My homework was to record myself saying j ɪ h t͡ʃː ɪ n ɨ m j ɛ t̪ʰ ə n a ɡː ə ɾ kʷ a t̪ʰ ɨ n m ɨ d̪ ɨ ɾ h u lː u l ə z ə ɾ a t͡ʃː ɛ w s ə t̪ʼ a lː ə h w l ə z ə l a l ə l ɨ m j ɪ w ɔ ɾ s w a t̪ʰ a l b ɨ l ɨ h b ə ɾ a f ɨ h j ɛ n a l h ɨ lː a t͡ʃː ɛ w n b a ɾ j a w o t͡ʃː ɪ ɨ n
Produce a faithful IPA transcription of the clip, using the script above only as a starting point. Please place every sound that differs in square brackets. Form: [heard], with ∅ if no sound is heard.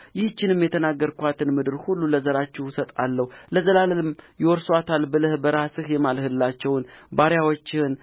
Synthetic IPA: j ɪ h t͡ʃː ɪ n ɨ m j ɛ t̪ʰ ə n a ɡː ə ɾ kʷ a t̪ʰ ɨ n m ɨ d̪ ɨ ɾ h u lː u l ə z ə ɾ a t͡ʃː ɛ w s ə t̪ʼ a lː ə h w l ə z ə l a l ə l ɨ m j ɪ w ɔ ɾ s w a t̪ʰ a l b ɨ l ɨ h b ə ɾ a [s] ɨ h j ɛ [m] a l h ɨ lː a t͡ʃː ɛ w n b a ɾ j a w o t͡ʃː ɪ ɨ n